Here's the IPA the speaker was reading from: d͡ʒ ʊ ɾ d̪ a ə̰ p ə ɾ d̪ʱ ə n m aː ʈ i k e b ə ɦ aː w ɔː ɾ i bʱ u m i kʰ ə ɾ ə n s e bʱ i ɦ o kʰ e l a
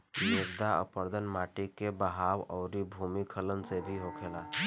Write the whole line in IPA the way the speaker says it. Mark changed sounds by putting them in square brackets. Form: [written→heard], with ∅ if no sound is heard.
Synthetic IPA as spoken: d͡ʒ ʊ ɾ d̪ a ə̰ p ə ɾ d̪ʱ ə n m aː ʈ i k e b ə ɦ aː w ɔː ɾ i bʱ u m i kʰ ə [ɾ→l] ə n s e bʱ i ɦ o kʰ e l a